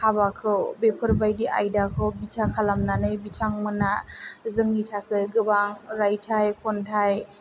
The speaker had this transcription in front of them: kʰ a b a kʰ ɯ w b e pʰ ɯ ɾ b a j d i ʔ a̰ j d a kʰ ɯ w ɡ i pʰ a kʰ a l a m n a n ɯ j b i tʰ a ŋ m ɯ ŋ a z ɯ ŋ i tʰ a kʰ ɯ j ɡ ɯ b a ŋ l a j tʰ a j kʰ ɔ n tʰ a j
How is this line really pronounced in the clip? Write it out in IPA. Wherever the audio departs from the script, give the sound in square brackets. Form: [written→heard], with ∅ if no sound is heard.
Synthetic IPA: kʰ a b a kʰ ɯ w b e pʰ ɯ ɾ b a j d i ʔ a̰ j d a kʰ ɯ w [ɡ→b] i [pʰ→tʰ] a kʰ a l a m n a n ɯ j b i tʰ a ŋ m ɯ [ŋ→n] a z ɯ ŋ i tʰ a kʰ ɯ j ɡ ɯ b a ŋ [l→ɾ] a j tʰ a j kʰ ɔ n tʰ a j